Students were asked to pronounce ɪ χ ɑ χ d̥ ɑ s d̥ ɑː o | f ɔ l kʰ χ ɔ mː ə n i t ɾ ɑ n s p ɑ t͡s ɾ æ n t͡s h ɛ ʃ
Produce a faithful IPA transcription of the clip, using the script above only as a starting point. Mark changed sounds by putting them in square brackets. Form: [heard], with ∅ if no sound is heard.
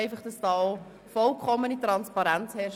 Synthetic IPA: ɪ [f] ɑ χ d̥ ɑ s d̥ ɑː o | f ɔ l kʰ χ ɔ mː ə n i t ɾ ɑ n s p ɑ [∅] ɾ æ n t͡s h ɛ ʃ